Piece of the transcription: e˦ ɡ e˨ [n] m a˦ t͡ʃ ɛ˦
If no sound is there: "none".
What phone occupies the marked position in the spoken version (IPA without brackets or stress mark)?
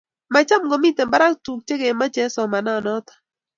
none